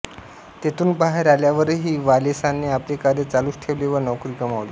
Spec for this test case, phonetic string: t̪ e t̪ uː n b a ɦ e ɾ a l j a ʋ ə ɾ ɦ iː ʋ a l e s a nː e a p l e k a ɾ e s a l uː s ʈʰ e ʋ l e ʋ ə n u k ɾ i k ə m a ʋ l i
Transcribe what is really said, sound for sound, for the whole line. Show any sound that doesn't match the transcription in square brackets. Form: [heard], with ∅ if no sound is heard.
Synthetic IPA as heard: t̪ e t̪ uː n b a ɦ e ɾ a l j a ʋ ə ɾ ɦ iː ʋ a l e s a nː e a p l e k a ɾ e [t͡s] a l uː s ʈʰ e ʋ l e ʋ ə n [ɔ] k ɾ i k ə m a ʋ l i

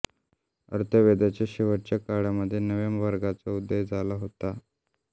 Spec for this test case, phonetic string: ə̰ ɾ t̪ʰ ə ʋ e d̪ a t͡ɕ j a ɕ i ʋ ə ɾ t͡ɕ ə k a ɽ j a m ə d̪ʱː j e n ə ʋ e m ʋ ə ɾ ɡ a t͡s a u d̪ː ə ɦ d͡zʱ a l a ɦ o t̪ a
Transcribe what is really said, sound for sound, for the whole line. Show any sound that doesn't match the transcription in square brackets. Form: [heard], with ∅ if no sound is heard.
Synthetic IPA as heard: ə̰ ɾ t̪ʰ ə ʋ e d̪ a t͡ɕ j a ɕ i ʋ ə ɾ t͡ɕ [a] k a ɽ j a m ə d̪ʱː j e n ə ʋ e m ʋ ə ɾ ɡ a t͡s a u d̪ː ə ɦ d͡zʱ a l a ɦ o t̪ a

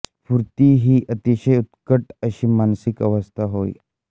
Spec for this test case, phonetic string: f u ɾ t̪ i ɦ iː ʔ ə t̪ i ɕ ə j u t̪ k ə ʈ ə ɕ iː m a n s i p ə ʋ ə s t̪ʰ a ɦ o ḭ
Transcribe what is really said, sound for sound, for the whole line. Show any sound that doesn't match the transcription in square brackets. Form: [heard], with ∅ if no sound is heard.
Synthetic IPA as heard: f u ɾ t̪ i ɦ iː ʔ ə t̪ i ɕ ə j u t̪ k ə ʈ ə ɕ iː m a n s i [k] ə ʋ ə s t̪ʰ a ɦ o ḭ

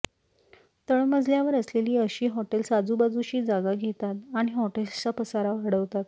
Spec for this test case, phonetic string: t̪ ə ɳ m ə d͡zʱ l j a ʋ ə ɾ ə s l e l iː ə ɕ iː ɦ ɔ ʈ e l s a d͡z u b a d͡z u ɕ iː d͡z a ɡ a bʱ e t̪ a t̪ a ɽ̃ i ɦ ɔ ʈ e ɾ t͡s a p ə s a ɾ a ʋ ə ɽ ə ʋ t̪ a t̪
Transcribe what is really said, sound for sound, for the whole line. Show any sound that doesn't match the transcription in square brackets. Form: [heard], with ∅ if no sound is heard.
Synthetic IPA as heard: t̪ ə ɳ m ə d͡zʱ l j a ʋ ə ɾ ə s l e l iː ə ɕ iː ɦ ɔ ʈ e l s a d͡z u b a d͡z u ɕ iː d͡z a ɡ a [ɡʱ] e t̪ a t̪ a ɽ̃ i ɦ ɔ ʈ e [l] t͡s a p ə s a ɾ a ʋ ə ɽ ə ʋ t̪ a t̪

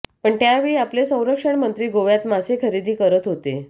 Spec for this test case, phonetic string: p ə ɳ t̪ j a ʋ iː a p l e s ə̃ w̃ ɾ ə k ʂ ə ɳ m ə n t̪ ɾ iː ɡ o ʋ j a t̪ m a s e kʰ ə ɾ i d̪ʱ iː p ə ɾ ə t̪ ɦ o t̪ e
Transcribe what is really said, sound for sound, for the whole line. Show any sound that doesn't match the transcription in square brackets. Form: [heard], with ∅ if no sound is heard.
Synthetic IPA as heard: p ə ɳ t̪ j a ʋ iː a p l e s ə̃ w̃ ɾ ə k ʂ ə ɳ m ə n t̪ ɾ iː ɡ o ʋ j a t̪ m a s e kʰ ə ɾ i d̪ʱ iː [k] ə ɾ ə t̪ ɦ o t̪ e

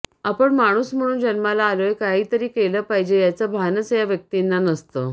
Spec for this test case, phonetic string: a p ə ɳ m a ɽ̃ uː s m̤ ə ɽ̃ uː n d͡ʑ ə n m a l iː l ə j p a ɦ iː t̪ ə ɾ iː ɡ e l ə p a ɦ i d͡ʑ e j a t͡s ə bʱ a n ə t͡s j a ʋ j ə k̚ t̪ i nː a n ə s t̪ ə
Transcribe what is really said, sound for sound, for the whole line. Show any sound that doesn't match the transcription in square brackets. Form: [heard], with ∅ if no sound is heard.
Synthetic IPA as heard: a p ə ɳ m a ɽ̃ uː s m̤ ə ɽ̃ uː n d͡ʑ ə n m a l [aː] l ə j [k] a ɦ iː t̪ ə ɾ iː [k] e l ə p a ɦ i d͡ʑ e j a t͡s ə bʱ a n ə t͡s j a ʋ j ə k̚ t̪ i nː a n ə s t̪ ə

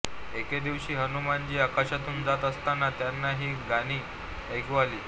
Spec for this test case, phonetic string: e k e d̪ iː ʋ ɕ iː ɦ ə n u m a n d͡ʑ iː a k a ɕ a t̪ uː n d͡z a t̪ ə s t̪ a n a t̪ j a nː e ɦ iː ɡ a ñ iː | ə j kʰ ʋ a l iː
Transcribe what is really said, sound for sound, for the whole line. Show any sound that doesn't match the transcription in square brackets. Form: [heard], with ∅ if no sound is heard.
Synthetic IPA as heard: e k e d̪ [i] ʋ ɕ iː ɦ ə n u m a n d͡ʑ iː a k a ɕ a t̪ uː n d͡z a t̪ ə s t̪ a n a t̪ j a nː [a] ɦ iː ɡ a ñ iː | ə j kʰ ʋ a l iː

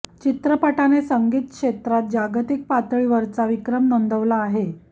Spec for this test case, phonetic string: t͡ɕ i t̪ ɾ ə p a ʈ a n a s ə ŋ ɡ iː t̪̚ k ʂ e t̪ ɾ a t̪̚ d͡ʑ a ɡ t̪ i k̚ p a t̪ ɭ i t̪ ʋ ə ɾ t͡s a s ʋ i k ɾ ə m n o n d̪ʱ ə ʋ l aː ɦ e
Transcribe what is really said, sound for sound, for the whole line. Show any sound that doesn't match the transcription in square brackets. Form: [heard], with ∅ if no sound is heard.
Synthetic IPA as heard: t͡ɕ i t̪ ɾ ə p a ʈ a n [e] s ə ŋ ɡ iː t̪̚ k ʂ e t̪ ɾ a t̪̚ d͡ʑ a ɡ t̪ i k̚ p a t̪ ɭ i [∅] ʋ ə ɾ t͡s a [∅] ʋ i k ɾ ə m n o n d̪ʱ ə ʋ l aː ɦ e

